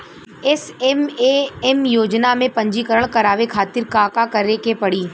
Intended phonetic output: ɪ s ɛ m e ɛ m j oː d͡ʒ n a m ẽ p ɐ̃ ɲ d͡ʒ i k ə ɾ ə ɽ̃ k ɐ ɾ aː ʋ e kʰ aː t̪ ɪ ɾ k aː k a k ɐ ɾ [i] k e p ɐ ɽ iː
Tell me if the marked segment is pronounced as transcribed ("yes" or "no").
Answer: no